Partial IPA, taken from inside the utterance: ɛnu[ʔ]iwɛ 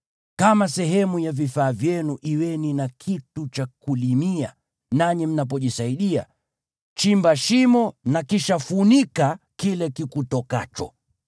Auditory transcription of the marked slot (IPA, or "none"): ʔ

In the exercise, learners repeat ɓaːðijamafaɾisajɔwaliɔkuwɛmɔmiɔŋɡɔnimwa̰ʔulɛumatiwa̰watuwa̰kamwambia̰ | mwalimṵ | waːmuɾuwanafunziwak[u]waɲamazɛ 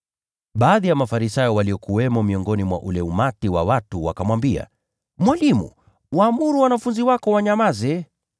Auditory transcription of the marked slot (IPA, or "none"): ɔ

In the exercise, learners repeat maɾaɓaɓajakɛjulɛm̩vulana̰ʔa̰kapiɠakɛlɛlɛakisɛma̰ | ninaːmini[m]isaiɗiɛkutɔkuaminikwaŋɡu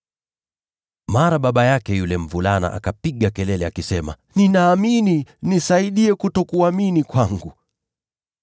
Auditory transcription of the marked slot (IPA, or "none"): n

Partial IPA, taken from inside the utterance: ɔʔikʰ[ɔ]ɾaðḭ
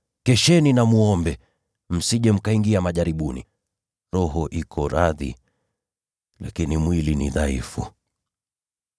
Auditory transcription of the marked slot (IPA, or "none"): ɔ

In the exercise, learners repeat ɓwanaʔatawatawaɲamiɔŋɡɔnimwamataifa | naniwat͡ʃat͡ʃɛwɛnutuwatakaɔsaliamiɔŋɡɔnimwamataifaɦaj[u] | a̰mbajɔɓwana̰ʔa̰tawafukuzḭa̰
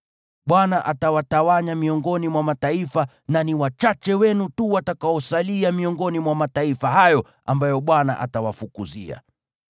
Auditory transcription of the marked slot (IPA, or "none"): ɔ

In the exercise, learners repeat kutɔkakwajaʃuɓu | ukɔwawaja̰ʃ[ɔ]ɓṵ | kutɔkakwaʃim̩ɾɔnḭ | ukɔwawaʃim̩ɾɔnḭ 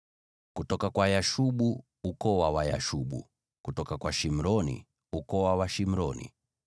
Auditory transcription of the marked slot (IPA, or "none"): u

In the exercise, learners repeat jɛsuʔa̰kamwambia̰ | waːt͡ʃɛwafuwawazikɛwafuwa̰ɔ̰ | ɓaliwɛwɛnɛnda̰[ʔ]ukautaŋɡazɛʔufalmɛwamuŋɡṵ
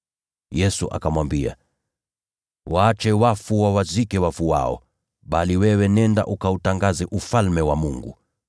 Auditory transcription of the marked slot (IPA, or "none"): ʔ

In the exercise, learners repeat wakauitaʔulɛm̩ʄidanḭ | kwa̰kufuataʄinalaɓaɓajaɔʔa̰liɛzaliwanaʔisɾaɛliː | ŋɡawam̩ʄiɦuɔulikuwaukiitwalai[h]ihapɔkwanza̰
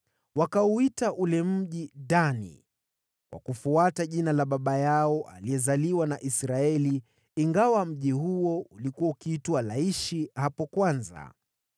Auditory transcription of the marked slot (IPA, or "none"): ʃ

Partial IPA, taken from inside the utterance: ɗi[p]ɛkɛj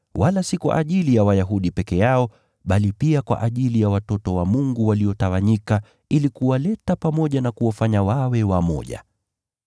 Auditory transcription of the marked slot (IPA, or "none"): p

